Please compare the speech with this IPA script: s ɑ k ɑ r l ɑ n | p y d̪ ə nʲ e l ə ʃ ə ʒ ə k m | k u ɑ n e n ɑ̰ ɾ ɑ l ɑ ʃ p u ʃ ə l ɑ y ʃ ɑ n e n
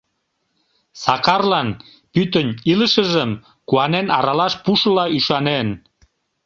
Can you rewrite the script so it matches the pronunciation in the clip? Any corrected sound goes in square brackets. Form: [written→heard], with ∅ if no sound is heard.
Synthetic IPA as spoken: s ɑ k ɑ r l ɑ n | p y [d̪→t̪] ə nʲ [e→i] l ə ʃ ə ʒ ə [k→∅] m | k u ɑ n e n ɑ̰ ɾ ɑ l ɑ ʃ p u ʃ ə l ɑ y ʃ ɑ n e n